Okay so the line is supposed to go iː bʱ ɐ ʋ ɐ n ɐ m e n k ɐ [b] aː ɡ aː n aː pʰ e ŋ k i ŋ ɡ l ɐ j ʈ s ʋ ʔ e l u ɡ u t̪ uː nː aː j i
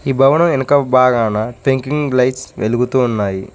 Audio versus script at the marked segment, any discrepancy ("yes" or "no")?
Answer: no